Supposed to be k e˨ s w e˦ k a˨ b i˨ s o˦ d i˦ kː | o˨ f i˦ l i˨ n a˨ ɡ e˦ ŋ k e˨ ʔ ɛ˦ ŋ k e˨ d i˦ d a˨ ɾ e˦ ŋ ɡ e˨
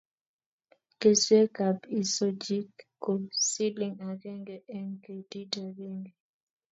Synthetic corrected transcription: k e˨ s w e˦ k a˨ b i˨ s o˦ d͡ʒ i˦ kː | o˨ s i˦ l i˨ ŋ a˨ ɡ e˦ ŋ ɡ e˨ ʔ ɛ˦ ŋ k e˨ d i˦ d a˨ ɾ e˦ ŋ ɡ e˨